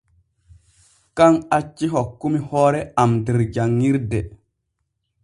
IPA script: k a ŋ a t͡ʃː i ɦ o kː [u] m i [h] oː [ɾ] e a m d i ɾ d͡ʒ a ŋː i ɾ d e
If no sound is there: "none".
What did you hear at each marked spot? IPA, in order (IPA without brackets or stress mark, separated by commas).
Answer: u, h, ɾ